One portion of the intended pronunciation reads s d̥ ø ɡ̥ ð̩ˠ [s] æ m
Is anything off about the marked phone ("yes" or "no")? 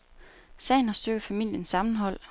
yes